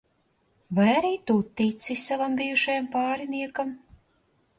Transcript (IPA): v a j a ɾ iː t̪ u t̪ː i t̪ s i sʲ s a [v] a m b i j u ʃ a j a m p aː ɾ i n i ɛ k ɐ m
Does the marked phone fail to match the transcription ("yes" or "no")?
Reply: no